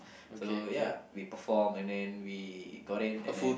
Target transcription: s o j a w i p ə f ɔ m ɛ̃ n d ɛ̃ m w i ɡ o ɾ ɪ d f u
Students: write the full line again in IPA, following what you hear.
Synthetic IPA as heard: s o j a w i p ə f ɔ m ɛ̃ n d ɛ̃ n w i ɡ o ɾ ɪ n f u